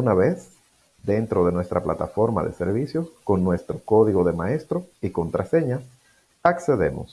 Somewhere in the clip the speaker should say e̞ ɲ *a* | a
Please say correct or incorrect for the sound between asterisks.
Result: correct